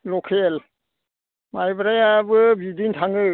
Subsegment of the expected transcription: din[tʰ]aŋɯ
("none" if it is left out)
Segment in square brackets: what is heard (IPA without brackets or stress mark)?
tʰ